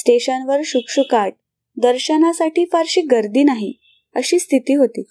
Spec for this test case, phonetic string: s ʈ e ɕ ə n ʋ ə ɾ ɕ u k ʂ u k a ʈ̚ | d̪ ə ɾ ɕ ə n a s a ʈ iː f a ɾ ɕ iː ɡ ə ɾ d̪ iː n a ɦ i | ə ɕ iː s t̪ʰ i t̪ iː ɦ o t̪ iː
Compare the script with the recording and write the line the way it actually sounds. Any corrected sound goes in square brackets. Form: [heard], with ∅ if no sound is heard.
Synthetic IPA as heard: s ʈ e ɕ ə n ʋ ə ɾ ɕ u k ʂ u k a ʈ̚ | d̪ ə ɾ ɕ ə n a s a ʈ iː f a ɾ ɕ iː ɡ ə ɾ d̪ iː n a ɦ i | ə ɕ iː s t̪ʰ i t̪ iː ɦ o t̪ iː